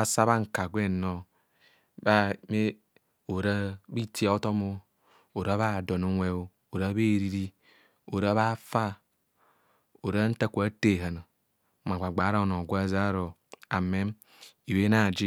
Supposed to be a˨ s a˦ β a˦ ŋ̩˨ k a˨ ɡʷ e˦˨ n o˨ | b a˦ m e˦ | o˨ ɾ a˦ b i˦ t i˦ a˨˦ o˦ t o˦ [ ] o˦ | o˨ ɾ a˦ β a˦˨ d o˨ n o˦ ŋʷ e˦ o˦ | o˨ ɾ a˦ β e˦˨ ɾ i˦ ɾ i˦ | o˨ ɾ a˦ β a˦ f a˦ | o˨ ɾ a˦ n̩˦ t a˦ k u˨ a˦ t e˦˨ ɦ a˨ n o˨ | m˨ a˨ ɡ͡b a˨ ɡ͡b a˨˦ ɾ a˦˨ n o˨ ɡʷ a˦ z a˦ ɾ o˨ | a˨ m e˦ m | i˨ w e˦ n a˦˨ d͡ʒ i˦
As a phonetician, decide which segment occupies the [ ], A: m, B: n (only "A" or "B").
A